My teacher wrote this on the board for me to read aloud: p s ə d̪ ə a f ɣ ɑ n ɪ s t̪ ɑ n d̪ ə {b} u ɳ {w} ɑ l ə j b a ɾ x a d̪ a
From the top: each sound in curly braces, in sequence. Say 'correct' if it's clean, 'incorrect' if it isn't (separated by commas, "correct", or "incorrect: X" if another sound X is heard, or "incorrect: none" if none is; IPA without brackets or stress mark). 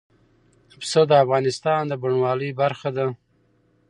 correct, correct